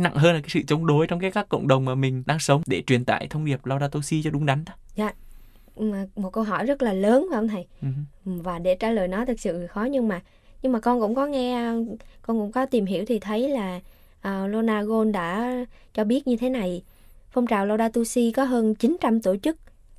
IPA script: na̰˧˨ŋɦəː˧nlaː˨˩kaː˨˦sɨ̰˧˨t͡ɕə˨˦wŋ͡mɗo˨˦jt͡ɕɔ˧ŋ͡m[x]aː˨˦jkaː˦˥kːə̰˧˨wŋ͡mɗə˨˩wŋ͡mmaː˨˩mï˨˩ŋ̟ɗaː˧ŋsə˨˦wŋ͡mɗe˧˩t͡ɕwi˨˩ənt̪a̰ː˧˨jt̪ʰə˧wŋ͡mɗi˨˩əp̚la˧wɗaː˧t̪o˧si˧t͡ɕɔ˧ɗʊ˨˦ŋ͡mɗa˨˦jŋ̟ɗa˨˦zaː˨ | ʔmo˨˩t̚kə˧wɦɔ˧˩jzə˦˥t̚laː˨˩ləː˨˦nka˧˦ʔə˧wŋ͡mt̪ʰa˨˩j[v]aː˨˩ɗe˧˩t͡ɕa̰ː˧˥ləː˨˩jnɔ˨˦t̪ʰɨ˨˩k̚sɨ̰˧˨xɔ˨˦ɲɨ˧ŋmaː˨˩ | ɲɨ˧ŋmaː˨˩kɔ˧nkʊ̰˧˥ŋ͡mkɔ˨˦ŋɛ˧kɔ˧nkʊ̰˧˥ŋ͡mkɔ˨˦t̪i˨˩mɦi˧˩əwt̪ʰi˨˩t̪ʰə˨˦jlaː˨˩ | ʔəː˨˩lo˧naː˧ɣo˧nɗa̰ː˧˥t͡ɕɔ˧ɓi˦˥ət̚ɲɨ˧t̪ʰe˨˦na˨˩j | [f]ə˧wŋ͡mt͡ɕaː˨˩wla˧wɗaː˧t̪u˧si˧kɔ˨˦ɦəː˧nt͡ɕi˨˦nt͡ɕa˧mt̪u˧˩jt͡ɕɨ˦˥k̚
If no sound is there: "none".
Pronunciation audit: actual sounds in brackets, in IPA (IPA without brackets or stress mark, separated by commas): k, v, f